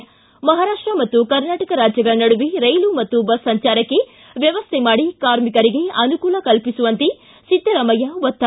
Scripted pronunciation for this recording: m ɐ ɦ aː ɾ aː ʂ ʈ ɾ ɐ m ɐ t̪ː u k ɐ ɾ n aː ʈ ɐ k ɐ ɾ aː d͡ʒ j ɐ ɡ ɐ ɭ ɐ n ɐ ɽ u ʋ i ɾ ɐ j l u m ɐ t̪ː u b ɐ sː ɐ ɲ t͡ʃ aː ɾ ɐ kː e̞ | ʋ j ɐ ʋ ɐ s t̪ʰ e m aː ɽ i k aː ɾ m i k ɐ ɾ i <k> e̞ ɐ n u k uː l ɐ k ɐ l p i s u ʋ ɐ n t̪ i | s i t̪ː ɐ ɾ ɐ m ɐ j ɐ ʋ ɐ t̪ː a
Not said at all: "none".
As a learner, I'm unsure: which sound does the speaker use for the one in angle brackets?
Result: ɡ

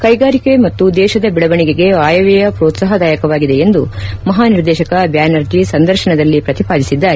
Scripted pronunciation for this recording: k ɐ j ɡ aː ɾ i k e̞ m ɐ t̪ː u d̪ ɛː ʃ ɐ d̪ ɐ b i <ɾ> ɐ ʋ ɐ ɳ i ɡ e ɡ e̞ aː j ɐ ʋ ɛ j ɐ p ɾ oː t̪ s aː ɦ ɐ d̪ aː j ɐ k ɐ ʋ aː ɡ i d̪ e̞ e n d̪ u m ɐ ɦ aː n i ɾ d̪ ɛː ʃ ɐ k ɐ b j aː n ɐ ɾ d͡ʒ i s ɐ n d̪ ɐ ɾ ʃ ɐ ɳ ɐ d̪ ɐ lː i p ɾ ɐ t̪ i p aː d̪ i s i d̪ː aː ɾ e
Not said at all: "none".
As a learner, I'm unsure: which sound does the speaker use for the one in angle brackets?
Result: ɭ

